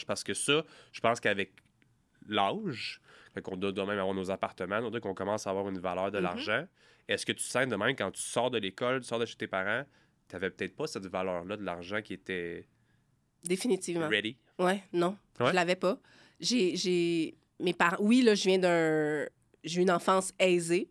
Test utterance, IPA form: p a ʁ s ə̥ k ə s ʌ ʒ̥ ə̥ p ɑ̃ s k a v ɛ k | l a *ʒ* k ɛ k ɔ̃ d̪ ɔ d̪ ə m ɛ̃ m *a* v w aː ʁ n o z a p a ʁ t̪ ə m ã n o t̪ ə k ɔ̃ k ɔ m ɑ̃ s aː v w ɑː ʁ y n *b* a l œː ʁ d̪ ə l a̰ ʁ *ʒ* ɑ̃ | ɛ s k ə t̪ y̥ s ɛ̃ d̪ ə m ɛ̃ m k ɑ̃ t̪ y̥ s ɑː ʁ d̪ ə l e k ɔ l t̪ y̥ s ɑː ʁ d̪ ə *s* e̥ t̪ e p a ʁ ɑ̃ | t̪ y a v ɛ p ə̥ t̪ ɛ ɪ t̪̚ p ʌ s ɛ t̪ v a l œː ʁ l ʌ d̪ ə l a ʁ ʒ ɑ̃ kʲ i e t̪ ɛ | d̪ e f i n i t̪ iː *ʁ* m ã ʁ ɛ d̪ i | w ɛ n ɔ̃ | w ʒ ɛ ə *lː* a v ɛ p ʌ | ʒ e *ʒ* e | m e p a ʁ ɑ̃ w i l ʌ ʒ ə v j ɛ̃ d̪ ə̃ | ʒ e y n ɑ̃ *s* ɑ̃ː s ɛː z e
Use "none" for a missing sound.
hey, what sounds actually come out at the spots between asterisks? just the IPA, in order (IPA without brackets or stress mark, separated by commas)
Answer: ʒ, a, v, ʒ, ʃ, v, l, ʒ, f